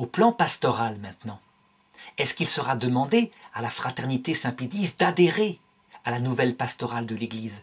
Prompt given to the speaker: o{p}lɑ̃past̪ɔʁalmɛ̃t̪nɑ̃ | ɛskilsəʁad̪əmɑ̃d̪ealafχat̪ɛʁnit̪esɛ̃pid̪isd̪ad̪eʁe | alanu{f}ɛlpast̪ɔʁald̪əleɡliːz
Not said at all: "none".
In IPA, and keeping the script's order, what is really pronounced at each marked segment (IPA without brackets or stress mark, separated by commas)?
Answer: p, v